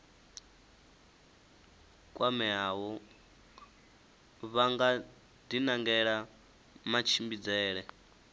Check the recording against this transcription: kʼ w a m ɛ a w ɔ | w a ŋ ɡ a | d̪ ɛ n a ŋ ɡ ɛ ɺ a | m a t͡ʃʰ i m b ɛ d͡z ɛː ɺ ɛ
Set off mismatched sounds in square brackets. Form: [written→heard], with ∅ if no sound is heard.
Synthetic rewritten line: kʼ w a m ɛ a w ɔ | [w→β] a ŋ ɡ a | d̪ [ɛ→i] n a ŋ ɡ ɛ ɺ a | m a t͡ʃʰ i m b [ɛ→i] d͡z ɛː ɺ ɛ